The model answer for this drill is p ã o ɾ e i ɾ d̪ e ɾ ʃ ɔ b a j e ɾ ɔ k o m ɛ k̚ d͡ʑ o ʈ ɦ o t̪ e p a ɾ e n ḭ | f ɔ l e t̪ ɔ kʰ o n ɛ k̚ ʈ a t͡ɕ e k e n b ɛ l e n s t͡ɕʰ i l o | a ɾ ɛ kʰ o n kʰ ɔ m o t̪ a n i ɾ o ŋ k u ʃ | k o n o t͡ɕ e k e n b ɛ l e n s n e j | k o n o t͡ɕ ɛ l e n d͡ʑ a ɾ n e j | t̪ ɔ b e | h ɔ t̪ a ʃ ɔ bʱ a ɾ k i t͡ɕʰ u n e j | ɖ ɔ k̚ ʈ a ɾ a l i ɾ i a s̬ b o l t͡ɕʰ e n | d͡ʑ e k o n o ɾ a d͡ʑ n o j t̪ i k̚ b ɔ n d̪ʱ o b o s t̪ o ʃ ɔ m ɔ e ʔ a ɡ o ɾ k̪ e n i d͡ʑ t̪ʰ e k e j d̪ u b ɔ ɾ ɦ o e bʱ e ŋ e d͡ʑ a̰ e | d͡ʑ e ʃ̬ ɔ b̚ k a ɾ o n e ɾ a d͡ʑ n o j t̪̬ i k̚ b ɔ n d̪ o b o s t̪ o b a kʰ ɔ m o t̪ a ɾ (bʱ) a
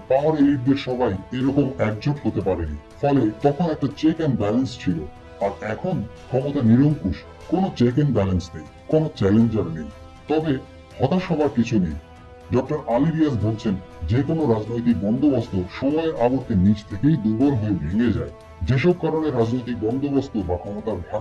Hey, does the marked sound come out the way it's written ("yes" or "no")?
yes